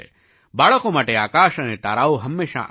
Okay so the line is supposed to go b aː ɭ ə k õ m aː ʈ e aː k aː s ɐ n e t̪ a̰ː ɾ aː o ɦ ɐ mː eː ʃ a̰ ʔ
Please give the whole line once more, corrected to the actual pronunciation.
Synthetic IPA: b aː ɭ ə k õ m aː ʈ e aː k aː ʃ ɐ n e t̪ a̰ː ɾ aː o ɦ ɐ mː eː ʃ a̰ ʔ

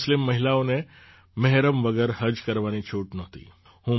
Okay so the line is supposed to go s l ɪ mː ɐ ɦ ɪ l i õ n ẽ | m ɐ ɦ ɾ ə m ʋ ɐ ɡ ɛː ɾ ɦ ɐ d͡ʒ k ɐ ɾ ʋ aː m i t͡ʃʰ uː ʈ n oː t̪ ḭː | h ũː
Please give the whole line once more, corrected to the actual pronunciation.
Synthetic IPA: s l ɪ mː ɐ ɦ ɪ l a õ n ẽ | m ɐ ɦ ɾ ə m ʋ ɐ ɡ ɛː ɾ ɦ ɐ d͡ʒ k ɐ ɾ ʋ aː n i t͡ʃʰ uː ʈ n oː t̪ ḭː | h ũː

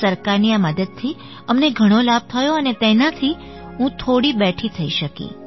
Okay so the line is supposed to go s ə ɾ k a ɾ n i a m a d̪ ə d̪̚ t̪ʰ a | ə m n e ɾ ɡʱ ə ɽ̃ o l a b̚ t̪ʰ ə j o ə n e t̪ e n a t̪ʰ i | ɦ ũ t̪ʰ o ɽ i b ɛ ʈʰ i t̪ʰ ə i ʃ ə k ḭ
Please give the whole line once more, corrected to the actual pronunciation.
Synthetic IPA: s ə ɾ k a ɾ n i a m ə d̪ ə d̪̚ t̪ʰ i | ə m n e ɡʱ ə ɽ̃ o l a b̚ t̪ʰ ə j o ə n e t̪ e n a t̪ʰ i | ɦ ũ t̪ʰ o ɽ i b ɛ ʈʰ i t̪ʰ ə i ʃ ə k ḭ

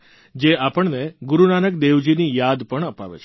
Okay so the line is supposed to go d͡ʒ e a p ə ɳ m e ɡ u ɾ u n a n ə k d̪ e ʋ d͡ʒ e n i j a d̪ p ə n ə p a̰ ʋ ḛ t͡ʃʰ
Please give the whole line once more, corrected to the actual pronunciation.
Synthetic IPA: d͡ʒ e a p ə ɳ n e ɡ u ɾ u n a n ə k d̪ e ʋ d͡ʒ i n i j a d̪ p ə ɳ ə p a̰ ʋ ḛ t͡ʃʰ

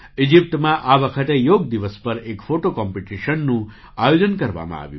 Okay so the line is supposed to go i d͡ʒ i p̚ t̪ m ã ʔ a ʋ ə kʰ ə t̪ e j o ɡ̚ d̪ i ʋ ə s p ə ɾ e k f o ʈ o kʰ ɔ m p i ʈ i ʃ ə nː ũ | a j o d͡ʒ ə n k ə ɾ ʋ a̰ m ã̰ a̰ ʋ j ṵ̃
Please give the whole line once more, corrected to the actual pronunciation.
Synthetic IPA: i d͡ʒ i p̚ t̪ m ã ʔ a ʋ ə kʰ ə t̪ e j o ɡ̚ d̪ i ʋ ə s p ə ɾ e k f o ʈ o k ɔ m p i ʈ i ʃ ə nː ũ | a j o d͡ʒ ə n k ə ɾ ʋ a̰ m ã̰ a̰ ʋ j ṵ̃

